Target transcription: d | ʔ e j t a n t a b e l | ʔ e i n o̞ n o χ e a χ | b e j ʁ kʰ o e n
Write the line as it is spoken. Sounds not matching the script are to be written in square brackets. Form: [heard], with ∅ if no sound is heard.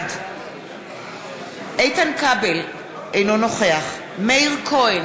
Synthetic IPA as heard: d | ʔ e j t a n [k] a b e l | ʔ e [j] n o̞ n o χ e a χ | [m] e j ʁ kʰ o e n